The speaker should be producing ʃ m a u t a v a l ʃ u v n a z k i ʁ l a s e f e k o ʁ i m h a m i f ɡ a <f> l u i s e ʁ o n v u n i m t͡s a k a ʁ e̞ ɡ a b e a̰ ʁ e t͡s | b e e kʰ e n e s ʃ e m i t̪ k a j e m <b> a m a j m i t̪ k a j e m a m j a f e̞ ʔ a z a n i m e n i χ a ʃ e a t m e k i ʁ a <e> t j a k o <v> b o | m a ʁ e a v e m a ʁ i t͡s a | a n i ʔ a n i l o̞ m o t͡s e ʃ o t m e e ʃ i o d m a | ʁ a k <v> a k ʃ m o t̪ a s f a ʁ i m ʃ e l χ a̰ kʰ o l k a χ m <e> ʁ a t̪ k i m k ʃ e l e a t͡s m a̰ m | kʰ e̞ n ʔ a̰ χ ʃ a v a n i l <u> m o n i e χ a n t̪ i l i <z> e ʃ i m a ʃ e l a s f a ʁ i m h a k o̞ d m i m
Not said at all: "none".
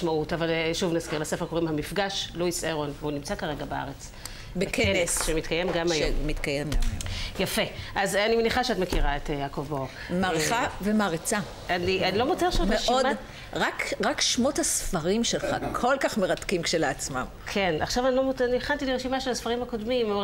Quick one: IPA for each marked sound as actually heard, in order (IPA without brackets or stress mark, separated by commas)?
ʃ, ɡ, e, v, ʁ, e, o, ʁ